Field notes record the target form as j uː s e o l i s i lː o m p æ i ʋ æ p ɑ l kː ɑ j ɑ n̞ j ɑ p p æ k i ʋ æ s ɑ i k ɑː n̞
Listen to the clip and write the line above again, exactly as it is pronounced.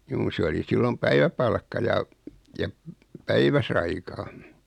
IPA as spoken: j uː s e o l i s i lː o m p æ i ʋ æ p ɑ l kː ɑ j ɑ j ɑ p p æ i ʋ æ s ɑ i k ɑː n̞